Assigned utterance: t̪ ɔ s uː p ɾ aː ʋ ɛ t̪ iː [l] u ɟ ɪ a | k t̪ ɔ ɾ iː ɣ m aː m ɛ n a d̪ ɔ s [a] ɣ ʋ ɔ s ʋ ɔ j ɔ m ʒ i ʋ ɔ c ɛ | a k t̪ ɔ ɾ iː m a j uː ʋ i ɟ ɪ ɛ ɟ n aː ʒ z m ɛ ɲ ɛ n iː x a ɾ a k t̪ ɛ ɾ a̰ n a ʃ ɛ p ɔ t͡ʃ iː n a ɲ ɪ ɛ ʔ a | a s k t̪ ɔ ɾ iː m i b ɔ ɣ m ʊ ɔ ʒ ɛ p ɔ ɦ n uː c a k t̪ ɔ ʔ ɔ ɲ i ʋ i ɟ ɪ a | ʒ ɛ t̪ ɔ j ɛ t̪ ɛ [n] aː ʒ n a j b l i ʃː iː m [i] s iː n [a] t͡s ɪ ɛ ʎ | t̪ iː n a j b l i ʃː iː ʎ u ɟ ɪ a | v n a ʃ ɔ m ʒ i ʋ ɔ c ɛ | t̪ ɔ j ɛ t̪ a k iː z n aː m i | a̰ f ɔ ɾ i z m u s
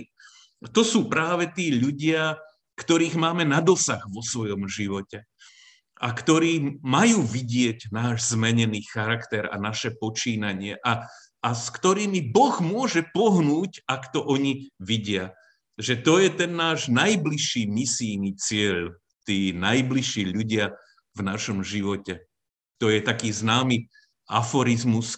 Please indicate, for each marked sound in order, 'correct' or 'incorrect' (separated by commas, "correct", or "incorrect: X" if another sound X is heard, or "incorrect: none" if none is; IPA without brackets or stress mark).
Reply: incorrect: ʎ, correct, incorrect: nː, correct, incorrect: i